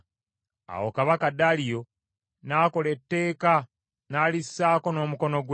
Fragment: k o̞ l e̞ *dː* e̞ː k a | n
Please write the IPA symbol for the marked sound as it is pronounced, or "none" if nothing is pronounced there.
tː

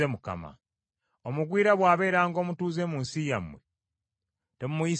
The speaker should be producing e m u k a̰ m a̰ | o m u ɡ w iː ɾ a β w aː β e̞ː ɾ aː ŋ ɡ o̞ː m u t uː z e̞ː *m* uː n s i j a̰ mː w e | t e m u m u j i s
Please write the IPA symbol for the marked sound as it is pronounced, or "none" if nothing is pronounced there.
m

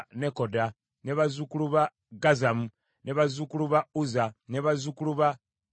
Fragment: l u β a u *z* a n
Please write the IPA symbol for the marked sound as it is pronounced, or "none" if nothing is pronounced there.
z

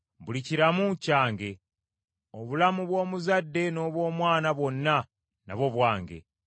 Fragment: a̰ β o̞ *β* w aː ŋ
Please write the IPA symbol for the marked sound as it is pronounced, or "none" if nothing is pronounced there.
β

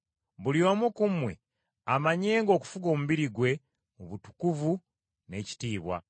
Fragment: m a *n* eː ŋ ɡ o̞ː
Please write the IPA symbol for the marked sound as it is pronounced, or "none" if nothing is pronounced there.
ɲ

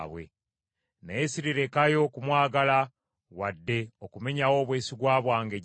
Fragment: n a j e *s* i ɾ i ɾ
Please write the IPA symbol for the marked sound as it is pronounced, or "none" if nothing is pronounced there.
s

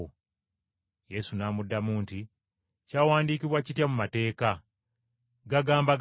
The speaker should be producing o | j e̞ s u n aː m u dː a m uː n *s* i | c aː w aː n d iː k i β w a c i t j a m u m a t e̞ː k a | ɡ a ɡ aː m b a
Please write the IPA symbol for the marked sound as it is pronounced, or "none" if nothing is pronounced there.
t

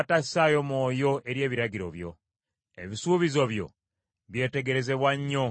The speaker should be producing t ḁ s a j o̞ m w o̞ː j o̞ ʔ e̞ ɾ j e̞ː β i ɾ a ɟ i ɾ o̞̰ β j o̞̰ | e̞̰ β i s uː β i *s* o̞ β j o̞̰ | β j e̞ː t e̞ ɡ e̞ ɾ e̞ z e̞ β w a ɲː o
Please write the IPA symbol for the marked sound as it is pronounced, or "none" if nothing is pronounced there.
z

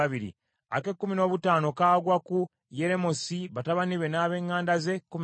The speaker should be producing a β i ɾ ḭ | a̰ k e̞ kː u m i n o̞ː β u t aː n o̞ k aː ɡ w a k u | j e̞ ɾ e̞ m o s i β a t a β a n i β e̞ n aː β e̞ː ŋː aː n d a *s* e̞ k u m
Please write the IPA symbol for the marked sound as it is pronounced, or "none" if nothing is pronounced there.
z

